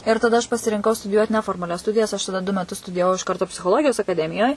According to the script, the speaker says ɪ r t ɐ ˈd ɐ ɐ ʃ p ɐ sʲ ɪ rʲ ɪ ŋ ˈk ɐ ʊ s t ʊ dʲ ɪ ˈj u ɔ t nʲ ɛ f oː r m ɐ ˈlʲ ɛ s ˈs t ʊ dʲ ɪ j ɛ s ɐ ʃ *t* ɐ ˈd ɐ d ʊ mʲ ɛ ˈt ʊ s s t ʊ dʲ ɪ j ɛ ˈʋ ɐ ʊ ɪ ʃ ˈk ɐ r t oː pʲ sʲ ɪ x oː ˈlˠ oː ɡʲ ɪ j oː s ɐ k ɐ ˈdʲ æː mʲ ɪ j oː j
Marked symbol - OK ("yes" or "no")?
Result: yes